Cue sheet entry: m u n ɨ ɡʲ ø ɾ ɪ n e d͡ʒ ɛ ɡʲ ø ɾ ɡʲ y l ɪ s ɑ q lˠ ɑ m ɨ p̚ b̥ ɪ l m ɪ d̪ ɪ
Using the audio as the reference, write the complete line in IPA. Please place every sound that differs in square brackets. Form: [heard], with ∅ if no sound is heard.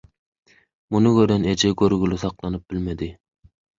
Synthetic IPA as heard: m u n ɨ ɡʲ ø ɾ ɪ n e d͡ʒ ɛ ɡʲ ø ɾ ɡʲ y l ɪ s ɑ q lˠ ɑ [n] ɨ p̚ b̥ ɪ l m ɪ d̪ ɪ